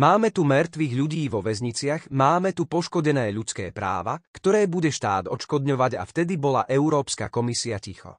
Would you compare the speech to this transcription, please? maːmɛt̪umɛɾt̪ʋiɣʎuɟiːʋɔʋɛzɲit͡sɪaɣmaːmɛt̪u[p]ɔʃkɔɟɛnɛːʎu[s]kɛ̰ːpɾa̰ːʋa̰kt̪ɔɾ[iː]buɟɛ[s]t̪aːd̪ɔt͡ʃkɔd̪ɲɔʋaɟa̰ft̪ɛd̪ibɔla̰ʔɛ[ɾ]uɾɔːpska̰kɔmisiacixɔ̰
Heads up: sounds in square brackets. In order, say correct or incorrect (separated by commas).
correct, incorrect, incorrect, incorrect, incorrect